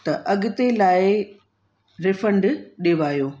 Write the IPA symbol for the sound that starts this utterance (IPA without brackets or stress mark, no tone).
t̪